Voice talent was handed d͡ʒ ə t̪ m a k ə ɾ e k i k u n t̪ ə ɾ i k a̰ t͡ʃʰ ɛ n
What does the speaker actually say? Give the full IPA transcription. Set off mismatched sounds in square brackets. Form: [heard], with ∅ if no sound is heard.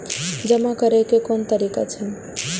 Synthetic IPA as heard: d͡ʒ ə [∅] m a k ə ɾ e k [e] k [o] n t̪ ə ɾ i k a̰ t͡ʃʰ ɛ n